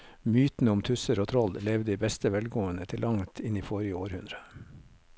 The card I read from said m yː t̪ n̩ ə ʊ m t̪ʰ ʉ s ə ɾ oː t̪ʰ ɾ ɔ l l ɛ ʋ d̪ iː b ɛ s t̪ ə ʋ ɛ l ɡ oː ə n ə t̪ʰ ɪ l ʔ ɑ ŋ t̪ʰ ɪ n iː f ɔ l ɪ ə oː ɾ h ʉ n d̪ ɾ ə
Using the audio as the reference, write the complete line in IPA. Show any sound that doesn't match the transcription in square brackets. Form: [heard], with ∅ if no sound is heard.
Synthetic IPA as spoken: m yː t̪ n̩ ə ʊ m t̪ʰ ʉ s ə ɾ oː t̪ʰ ɾ ɔ l l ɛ ʋ d̪ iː b ɛ s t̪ ə ʋ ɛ l ɡ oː ə n ə t̪ʰ ɪ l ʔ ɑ ŋ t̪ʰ ɪ n iː f ɔ [ɾ] ɪ ə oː ɾ h ʉ n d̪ ɾ ə